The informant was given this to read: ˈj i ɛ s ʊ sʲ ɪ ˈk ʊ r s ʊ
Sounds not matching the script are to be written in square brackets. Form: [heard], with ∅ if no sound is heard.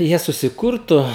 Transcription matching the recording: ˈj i ɛ s ʊ sʲ ɪ ˈk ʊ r [t] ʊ